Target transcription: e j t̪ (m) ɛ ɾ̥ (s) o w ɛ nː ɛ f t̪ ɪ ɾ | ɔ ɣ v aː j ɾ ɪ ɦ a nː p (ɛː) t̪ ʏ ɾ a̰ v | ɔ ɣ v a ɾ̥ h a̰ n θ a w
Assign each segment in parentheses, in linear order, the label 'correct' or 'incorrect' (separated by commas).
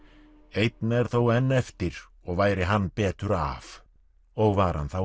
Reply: incorrect, incorrect, correct